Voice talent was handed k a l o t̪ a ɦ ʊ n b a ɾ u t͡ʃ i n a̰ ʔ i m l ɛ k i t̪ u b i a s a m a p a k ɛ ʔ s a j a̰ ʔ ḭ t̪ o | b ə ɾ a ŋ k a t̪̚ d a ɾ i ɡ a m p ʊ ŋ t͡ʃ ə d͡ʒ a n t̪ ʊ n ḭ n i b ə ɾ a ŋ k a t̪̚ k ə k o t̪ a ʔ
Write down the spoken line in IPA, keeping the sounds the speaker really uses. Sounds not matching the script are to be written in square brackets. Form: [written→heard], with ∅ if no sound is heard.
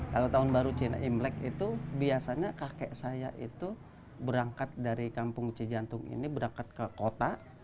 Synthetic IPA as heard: k a l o t̪ a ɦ ʊ n b a ɾ u t͡ʃ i n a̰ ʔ i m l ɛ k i t̪ u b i a s a [m→ɲ] a [p→k] a k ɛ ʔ s a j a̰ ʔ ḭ t̪ [o→u] | b ə ɾ a ŋ k a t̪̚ d a ɾ i [ɡ→k] a m p ʊ ŋ t͡ʃ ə d͡ʒ a n t̪ ʊ [n→ŋ] ḭ n i b ə ɾ a ŋ k a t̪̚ k ə k o t̪ a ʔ